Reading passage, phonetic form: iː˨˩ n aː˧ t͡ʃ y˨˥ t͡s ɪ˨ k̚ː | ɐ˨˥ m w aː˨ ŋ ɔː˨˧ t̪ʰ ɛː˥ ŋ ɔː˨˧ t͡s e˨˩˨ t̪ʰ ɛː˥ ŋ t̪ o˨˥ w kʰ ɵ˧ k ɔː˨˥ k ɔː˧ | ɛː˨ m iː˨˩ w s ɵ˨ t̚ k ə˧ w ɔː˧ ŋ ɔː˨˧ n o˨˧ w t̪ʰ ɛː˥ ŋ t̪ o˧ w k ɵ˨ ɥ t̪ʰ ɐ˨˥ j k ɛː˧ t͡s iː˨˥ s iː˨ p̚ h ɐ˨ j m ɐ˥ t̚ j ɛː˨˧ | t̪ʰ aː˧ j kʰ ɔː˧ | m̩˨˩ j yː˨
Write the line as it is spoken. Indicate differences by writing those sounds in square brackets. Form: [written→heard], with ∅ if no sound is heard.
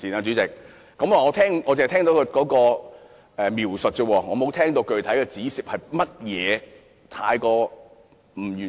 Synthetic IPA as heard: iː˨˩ n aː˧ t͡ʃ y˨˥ t͡s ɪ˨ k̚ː | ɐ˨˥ m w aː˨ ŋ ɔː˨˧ t̪ʰ ɛː˥ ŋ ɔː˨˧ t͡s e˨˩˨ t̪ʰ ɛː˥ ŋ t̪ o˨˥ w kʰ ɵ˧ k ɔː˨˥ k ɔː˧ | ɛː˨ m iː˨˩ w s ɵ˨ t̚ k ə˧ w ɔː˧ ŋ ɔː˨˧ [n→m] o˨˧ w t̪ʰ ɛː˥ ŋ t̪ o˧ w k ɵ˨ ɥ t̪ʰ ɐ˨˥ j k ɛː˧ t͡s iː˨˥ s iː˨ p̚ h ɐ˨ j m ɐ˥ t̚ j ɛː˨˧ | t̪ʰ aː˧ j [kʰ→k] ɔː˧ | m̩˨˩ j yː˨